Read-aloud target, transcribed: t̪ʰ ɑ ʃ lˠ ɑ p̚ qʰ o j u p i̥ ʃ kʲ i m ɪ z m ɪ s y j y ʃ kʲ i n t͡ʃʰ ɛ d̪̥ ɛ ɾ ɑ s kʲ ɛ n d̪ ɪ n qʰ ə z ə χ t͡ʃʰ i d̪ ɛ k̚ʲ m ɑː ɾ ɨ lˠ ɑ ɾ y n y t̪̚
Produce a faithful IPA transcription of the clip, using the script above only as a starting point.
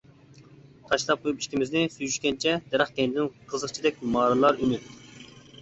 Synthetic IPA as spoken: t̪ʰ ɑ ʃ lˠ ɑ p̚ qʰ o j u p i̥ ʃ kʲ i m ɪ z n ɪ s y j y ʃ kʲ ɛ n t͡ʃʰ ɛ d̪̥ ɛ ɾ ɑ χ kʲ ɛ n d̪ ɪ n qʰ ə z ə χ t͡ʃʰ i d̪ ɛ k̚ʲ m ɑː ɾ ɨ lˠ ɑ ɾ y n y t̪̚